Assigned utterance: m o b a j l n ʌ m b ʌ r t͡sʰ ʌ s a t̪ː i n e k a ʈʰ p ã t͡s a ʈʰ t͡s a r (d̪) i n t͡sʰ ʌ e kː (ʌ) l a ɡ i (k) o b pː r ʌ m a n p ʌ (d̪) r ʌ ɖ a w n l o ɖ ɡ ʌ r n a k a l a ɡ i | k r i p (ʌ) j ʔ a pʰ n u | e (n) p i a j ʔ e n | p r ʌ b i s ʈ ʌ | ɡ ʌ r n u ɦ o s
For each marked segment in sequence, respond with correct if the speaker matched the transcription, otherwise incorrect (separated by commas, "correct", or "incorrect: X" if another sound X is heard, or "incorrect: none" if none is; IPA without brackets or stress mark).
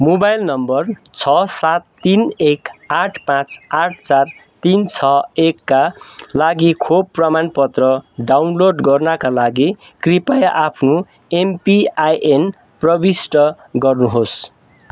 incorrect: t̪, incorrect: a, incorrect: kʰ, incorrect: t̪, incorrect: a, incorrect: m